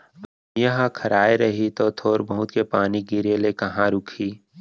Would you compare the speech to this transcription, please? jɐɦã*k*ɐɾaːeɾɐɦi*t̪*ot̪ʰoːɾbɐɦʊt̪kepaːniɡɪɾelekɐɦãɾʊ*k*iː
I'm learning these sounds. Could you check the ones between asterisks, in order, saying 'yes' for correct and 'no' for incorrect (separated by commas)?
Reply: no, yes, no